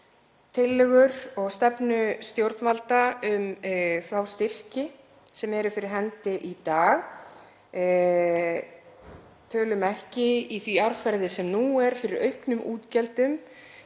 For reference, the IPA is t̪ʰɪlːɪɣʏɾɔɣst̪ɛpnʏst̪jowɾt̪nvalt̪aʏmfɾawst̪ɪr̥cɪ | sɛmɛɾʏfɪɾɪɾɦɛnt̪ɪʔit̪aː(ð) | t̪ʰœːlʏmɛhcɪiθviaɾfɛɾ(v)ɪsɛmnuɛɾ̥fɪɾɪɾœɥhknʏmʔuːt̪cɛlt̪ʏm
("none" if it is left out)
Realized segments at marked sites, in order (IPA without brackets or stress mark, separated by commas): ɣ, ð